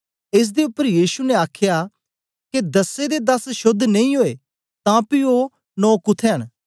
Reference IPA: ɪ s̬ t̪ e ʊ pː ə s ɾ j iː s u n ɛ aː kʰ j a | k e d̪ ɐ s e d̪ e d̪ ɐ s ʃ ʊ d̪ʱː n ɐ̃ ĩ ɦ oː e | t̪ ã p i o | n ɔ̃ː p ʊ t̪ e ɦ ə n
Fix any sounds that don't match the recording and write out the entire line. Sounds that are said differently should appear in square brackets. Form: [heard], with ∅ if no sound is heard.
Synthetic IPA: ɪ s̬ [d̪] e ʊ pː ə [∅] ɾ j iː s u n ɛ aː kʰ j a | k e d̪ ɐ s e d̪ e d̪ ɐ s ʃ ʊ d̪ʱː n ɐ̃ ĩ ɦ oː e | t̪ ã p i o | n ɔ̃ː [k] ʊ [t̪ʰ] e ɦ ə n